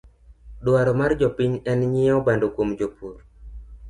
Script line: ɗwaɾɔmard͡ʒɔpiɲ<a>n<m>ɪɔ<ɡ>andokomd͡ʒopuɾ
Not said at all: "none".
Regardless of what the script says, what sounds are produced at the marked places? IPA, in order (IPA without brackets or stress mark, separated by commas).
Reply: ɛ, ɲ, b